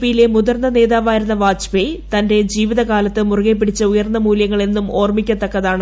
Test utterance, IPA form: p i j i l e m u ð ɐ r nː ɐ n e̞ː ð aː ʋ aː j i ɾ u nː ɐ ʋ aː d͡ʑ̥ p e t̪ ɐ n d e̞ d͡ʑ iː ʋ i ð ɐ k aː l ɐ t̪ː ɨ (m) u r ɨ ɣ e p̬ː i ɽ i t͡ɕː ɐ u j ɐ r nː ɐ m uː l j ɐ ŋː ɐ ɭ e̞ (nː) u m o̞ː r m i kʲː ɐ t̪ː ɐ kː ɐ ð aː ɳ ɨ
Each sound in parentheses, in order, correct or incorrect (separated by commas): correct, correct